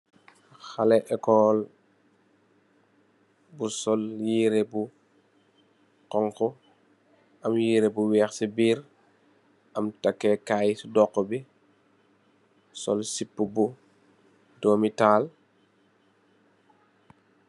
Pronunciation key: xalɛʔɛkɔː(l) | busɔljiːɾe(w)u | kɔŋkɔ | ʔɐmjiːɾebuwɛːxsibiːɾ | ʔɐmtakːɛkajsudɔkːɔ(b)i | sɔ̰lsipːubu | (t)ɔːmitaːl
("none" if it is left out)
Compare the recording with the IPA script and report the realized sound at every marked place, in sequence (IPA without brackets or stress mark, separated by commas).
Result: l, b, b, d